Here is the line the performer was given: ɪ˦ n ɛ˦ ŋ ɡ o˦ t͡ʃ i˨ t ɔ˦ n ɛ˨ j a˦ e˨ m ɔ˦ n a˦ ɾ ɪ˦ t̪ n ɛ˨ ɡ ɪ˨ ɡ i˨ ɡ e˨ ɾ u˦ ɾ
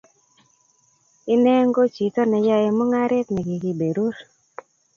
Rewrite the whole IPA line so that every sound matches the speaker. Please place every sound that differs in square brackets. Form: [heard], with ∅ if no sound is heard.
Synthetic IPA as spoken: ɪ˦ n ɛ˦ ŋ ɡ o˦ t͡ʃ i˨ t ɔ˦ n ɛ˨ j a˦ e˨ m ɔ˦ [ŋ] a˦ ɾ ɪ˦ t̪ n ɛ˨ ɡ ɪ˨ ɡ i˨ [b] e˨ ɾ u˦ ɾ